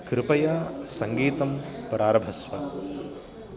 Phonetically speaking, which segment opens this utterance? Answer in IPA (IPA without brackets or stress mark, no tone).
k